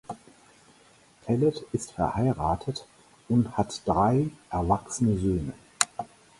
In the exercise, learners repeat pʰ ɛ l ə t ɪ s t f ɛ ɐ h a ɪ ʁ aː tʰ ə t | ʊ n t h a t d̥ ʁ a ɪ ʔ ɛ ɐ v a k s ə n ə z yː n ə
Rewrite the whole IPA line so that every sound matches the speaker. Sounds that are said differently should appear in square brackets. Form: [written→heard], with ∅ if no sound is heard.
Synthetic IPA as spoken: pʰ ɛ l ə t ɪ s t f ɛ ɐ h a ɪ ʁ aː tʰ ə t | ʊ n t h a t d̥ ʁ a ɪ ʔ ɛ ɐ v a k s ə n ə z [yː→øː] n ə